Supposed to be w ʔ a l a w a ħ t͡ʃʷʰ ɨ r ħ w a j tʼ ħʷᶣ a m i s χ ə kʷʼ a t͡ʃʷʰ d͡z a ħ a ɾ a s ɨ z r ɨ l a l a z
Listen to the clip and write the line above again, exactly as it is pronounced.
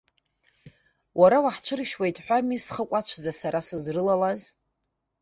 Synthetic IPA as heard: w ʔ a ɾ a w a ħ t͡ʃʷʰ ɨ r ʃ w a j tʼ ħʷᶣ a m i s χ ə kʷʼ a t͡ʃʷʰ d͡z a s a ɾ a s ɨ z r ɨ l a l a z